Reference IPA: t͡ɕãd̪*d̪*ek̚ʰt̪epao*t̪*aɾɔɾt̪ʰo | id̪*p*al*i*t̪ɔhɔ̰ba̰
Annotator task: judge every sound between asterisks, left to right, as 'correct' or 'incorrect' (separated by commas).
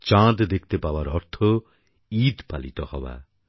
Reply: correct, incorrect, correct, correct